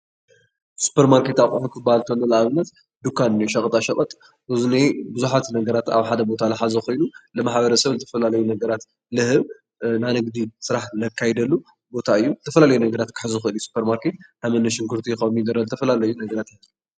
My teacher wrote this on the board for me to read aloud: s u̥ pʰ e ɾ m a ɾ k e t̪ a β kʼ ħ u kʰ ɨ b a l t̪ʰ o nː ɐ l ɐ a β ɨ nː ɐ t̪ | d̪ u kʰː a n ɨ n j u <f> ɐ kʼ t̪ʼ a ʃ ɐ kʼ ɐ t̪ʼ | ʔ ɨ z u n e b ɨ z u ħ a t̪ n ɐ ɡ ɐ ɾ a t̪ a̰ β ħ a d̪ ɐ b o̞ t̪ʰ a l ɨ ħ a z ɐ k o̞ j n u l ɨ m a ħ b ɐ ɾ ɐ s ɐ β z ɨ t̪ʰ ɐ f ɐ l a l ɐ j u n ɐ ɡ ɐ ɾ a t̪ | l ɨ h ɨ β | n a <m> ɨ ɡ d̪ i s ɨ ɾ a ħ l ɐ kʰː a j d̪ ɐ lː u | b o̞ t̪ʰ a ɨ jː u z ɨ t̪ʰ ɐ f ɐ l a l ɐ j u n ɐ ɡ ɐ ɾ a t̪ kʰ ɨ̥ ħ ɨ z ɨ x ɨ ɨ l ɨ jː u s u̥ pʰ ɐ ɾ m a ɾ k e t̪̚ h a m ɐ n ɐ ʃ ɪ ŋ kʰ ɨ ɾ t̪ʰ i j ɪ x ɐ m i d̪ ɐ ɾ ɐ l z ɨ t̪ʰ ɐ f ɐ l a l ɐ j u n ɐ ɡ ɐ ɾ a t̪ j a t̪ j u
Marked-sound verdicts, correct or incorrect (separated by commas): incorrect, incorrect